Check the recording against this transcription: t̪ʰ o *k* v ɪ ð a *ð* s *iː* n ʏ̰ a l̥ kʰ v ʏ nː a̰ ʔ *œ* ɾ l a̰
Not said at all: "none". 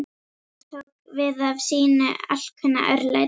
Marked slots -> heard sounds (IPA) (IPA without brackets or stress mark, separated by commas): k, v, iː, œ